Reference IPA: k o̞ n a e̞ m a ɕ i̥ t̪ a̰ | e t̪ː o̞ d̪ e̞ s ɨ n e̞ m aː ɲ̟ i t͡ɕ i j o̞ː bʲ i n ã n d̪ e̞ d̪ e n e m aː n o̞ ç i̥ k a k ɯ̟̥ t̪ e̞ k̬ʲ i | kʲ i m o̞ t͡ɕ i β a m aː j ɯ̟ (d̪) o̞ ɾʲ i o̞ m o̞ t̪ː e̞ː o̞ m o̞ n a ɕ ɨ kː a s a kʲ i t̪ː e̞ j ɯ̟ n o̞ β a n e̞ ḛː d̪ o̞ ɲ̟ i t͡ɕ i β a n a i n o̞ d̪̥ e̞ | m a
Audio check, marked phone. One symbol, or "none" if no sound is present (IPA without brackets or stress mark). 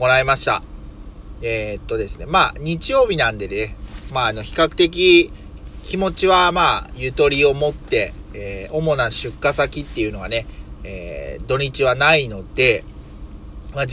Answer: t̪